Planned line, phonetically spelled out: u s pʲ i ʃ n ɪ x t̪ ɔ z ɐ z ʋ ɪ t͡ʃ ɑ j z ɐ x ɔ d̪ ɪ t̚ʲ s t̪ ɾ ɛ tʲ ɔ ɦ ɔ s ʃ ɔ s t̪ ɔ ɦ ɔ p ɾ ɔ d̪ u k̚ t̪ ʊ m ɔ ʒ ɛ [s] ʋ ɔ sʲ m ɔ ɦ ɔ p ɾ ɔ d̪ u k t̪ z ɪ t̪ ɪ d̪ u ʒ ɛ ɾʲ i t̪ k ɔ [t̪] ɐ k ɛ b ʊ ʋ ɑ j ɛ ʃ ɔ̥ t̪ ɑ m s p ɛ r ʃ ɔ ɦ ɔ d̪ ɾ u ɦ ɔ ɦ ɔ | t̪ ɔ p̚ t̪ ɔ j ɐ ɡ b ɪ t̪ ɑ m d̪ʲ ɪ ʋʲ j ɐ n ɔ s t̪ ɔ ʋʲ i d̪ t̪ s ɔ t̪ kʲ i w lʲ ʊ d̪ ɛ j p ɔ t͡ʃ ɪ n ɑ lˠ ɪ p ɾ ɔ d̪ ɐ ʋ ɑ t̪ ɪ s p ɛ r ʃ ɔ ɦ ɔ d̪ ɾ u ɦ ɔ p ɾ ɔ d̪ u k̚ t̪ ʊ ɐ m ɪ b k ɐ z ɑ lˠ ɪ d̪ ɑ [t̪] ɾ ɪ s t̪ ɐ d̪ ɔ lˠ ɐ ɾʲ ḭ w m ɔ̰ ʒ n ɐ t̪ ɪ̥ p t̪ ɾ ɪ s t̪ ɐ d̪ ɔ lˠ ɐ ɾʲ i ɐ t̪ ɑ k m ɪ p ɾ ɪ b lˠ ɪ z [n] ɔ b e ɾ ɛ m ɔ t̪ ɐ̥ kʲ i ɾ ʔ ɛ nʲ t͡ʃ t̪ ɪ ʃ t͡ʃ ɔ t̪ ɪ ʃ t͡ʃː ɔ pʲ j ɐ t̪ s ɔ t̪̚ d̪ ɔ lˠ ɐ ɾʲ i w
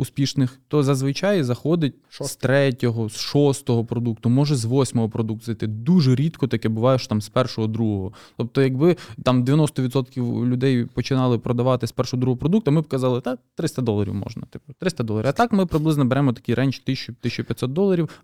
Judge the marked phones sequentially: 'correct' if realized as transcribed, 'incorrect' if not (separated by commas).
incorrect, correct, correct, correct